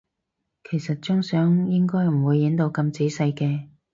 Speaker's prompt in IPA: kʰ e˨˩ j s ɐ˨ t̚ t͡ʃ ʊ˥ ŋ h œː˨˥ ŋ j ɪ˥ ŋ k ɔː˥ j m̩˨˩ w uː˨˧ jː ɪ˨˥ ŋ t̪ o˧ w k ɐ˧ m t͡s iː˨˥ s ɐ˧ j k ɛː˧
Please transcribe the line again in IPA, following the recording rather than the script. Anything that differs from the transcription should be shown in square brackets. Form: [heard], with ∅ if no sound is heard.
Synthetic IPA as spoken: kʰ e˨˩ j s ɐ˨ t̚ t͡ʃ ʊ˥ ŋ [s] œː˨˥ ŋ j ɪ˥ ŋ k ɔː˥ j m̩˨˩ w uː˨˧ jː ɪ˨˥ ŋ t̪ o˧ w k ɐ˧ m t͡s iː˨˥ s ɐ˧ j k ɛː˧